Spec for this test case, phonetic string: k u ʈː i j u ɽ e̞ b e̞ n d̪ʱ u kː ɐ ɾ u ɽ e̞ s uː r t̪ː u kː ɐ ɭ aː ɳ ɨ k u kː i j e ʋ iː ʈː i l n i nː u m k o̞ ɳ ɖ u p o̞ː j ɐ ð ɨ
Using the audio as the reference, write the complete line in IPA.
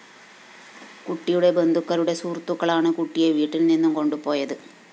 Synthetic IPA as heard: k u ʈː i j u ɽ e̞ b e̞ n d̪ʱ u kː ɐ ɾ u ɽ e̞ s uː r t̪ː u kː ɐ ɭ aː ɳ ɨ k u ʈː i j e ʋ iː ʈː i l n i nː u m k o̞ ɳ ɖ u p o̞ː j ɐ ð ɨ

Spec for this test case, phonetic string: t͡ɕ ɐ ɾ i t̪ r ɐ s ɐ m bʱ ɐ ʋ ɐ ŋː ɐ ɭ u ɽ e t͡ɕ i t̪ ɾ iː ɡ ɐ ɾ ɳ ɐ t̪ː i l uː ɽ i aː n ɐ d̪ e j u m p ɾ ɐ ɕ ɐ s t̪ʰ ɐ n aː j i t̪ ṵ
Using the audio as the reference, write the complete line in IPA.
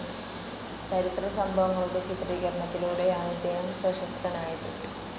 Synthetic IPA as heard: t͡ɕ ɐ ɾ i t̪ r ɐ s ɐ m bʱ ɐ ʋ ɐ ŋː ɐ ɭ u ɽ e t͡ɕ i t̪ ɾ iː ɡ ɐ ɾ ɳ ɐ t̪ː i l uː ɽ e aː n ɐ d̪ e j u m p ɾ ɐ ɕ ɐ s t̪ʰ ɐ n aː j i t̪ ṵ

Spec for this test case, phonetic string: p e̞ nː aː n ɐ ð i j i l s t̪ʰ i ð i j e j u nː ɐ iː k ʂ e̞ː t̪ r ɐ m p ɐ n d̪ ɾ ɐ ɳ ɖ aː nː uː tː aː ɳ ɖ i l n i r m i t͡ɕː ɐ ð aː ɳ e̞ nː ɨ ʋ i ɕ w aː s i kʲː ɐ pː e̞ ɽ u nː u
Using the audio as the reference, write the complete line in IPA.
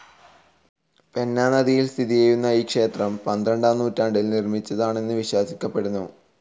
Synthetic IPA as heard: p e̞ nː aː n ɐ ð i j i l s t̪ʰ i ð i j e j u nː ɐ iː k ʂ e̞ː t̪ r ɐ m p ɐ n d̪ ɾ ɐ ɳ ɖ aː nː uː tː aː ɳ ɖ i l n i r m i t͡ɕː ɐ ð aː ɳ e̞ nː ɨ ʋ i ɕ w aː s i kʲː ɐ pː e̞ ɽ u nː u

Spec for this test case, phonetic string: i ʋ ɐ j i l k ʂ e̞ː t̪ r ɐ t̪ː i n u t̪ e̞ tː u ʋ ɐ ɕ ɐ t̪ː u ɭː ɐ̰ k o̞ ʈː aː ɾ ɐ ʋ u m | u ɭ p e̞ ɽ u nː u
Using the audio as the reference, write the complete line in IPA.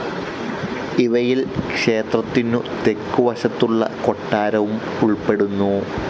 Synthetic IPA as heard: i ʋ ɐ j i l k ʂ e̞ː t̪ r ɐ t̪ː i n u t̪ e̞ kː u ʋ ɐ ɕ ɐ t̪ː u ɭː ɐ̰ k o̞ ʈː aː ɾ ɐ ʋ u m | u ɭ p e̞ ɽ u nː u

